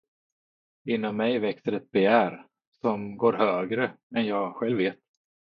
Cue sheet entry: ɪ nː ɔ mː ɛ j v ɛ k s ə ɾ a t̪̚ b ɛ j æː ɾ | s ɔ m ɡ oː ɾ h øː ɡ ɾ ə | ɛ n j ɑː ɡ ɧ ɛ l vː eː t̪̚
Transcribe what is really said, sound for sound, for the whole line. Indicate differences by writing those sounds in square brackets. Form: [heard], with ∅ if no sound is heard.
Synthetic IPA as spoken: ɪ nː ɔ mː ɛ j v ɛ k s ə ɾ [ɛ] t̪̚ b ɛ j æː ɾ | s ɔ m ɡ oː ɾ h øː ɡ ɾ ə | ɛ n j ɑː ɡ ɧ ɛ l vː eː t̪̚